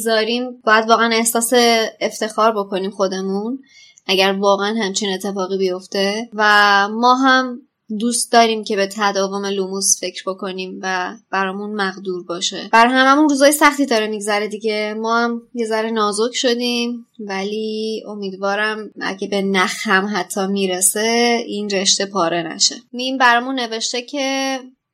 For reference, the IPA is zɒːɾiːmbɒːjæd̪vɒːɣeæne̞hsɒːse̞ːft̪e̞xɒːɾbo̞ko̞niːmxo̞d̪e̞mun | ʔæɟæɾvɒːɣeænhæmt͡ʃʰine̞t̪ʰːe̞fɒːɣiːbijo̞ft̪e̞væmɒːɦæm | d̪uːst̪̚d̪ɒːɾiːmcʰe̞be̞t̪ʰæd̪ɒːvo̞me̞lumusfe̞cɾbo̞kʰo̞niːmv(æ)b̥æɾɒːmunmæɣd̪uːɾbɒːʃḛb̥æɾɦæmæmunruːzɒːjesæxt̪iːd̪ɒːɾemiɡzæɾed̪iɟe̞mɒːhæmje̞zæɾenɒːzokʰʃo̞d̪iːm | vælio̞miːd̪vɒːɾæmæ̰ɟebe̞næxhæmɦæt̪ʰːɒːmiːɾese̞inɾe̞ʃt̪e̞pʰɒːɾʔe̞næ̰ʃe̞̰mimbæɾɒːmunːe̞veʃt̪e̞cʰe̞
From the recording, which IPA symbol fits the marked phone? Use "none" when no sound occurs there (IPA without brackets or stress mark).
æ